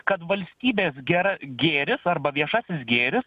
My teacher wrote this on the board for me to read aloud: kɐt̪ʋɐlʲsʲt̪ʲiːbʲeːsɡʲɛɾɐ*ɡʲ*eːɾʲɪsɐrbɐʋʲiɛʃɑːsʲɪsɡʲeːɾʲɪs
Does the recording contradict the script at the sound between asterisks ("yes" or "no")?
no